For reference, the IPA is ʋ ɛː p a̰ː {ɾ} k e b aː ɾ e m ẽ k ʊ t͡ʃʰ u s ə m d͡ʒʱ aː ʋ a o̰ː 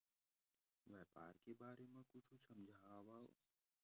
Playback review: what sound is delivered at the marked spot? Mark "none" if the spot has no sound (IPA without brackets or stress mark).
ɾ